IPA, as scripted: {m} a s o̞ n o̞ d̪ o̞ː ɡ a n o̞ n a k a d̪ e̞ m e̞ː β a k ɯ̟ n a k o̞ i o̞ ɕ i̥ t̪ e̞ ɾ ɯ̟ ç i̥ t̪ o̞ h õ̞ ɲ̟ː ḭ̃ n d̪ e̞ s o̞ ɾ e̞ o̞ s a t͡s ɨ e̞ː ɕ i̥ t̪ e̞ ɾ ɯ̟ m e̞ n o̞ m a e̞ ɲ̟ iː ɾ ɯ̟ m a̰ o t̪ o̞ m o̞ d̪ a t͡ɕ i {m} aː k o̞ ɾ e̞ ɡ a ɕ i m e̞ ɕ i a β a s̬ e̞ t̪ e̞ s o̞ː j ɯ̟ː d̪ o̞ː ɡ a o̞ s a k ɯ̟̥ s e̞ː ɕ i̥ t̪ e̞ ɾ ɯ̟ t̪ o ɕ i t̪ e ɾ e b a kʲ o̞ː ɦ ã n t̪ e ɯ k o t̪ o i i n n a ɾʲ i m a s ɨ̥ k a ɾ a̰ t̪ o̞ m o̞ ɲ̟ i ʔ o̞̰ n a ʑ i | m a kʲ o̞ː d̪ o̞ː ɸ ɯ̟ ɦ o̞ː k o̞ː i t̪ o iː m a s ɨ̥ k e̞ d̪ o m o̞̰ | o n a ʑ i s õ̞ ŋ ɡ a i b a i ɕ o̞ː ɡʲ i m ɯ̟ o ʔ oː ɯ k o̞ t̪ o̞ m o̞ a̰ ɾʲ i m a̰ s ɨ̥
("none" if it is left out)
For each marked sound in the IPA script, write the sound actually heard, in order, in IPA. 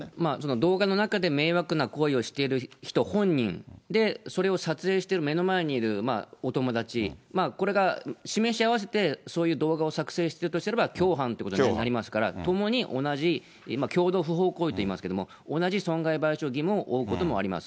m, m

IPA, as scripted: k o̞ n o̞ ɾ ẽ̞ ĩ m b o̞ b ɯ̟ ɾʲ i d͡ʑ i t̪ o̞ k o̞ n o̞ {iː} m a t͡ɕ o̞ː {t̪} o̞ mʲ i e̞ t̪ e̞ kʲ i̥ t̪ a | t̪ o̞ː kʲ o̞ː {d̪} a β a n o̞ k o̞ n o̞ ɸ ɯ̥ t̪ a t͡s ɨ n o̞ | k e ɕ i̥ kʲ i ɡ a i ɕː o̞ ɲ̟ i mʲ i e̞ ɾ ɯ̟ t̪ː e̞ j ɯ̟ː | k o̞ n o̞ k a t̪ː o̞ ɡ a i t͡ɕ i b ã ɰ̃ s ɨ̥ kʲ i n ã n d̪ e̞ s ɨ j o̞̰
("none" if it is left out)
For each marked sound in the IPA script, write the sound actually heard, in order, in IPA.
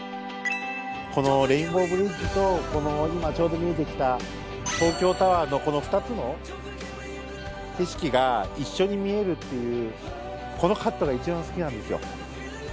i, d̪, t̪

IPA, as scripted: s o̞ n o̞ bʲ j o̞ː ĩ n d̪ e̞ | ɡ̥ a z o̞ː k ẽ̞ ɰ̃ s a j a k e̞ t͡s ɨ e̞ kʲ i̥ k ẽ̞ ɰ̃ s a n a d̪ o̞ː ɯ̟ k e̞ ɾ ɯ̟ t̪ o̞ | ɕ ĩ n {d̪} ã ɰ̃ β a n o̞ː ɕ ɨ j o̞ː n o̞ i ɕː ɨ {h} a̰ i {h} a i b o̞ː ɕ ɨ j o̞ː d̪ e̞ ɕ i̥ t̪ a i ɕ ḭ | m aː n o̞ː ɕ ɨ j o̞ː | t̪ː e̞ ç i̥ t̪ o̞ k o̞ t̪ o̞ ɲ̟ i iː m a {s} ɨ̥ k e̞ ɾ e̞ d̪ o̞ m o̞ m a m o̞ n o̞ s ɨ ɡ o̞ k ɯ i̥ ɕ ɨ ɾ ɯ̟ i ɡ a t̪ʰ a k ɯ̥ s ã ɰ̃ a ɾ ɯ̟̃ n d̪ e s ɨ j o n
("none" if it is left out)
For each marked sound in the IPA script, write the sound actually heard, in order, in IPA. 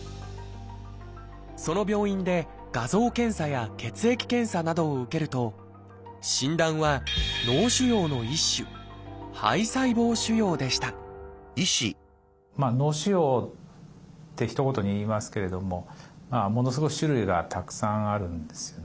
d̪, h, s, s

